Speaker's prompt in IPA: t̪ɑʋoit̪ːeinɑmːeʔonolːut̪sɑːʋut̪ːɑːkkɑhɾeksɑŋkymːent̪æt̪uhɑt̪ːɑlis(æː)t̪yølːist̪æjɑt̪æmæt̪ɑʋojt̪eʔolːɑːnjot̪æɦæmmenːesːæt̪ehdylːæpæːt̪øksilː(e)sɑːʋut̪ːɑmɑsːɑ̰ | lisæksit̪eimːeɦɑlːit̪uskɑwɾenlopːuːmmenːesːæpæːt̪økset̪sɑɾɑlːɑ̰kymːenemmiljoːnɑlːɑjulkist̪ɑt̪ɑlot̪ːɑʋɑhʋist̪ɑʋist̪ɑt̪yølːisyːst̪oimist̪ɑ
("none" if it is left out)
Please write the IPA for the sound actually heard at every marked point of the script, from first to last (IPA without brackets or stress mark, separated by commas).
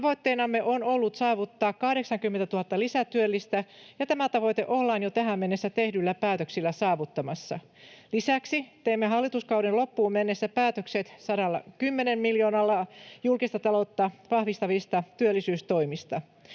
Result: æ, æ